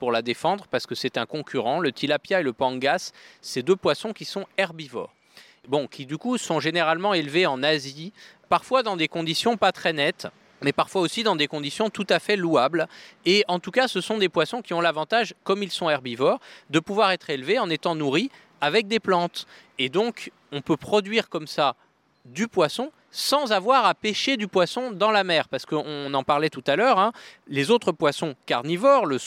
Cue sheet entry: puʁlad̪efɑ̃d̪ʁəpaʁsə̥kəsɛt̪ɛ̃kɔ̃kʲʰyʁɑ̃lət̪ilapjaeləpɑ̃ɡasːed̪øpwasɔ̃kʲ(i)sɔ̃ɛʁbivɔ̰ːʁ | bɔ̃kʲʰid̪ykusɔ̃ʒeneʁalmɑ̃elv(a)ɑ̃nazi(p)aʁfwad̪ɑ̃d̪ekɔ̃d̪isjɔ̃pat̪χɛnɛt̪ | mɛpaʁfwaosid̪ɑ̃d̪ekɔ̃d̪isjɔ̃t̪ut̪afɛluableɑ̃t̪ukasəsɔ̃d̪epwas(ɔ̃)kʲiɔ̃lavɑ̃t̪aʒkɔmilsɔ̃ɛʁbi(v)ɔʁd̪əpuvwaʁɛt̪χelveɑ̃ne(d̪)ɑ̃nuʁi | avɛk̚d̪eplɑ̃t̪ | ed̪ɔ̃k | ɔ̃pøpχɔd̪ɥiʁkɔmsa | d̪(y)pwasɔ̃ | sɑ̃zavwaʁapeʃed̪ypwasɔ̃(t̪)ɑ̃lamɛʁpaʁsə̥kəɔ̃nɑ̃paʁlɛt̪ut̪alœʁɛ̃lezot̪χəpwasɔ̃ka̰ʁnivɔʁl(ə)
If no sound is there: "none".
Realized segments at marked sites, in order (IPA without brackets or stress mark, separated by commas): i, e, p, ɔ̃, v, t̪, y, d̪, ə